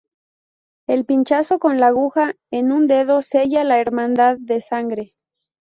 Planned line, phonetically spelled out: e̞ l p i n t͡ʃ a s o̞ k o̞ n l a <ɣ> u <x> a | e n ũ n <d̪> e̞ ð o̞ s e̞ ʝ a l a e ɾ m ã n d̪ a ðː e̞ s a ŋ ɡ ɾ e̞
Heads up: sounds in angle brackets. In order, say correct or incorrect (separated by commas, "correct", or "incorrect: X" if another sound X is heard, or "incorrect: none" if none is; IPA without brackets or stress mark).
correct, correct, correct